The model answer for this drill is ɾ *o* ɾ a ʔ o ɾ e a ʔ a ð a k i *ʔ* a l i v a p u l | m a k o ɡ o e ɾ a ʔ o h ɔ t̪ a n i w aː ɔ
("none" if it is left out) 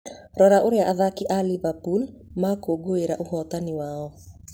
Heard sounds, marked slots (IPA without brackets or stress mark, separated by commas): ɔ, ʔ